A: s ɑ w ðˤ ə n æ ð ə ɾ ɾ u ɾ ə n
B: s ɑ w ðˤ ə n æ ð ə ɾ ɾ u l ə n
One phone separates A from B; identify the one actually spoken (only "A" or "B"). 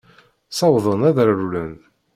B